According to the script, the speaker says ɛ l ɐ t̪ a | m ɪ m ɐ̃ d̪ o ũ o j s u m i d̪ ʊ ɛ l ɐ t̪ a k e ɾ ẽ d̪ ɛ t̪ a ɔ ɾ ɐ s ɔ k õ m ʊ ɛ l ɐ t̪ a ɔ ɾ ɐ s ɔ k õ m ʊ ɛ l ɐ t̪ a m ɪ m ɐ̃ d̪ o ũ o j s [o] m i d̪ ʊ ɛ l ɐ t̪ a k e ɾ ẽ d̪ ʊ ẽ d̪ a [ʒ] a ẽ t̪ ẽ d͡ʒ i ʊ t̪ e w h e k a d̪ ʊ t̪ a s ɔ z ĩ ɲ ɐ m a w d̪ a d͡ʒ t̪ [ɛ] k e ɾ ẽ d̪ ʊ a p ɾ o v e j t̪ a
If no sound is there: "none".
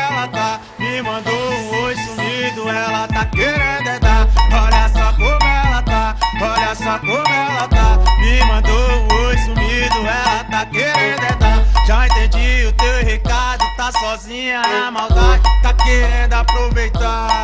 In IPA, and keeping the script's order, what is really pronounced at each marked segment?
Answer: u, ʒ, a

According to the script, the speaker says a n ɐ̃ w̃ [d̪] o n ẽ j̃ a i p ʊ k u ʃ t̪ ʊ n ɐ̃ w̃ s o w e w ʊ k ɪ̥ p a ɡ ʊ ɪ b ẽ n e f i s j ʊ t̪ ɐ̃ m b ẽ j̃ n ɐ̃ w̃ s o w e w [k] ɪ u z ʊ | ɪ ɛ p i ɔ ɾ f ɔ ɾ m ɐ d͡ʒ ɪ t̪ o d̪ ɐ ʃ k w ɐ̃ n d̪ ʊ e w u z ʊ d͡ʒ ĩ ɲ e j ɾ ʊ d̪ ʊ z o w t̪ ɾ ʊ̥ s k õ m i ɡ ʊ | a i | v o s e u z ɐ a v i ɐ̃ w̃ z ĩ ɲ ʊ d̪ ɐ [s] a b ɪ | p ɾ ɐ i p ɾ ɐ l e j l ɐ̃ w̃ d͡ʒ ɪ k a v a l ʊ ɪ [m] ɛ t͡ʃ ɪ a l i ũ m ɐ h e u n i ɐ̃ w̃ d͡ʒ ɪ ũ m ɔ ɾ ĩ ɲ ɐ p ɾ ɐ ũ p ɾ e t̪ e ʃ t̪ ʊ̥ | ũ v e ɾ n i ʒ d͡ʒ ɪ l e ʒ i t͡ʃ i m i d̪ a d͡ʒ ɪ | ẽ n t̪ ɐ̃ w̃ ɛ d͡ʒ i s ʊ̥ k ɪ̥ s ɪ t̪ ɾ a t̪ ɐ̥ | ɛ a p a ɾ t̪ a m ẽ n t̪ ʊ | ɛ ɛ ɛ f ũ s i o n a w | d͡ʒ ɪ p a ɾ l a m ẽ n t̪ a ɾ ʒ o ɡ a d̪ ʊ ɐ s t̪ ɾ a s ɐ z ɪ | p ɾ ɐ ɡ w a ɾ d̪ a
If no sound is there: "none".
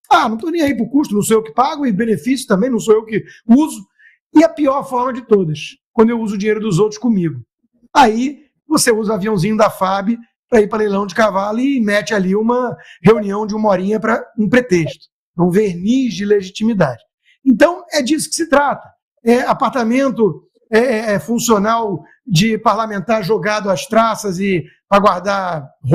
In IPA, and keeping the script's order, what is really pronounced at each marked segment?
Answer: t̪, k, f, m

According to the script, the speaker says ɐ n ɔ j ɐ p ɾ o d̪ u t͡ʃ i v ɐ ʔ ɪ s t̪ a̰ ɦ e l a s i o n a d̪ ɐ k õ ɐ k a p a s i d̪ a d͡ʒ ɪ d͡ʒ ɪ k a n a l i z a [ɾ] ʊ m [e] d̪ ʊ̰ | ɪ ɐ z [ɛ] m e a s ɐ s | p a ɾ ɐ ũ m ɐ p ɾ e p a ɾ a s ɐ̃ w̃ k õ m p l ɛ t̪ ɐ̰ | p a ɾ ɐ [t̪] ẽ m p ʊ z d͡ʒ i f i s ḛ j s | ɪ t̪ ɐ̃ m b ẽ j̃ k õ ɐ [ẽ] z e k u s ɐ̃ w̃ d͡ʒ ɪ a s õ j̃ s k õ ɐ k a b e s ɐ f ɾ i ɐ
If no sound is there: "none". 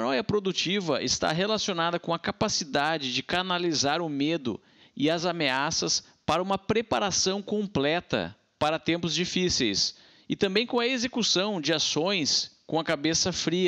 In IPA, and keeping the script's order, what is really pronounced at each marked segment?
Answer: ɾ, e, a, t̪, e

